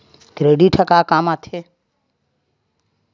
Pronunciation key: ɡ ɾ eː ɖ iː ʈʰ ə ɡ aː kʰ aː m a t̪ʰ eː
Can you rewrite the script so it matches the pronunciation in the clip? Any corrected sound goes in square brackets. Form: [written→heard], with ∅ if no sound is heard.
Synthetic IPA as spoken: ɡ ɾ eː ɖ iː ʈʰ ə [ɡ→k] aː [kʰ→k] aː m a t̪ʰ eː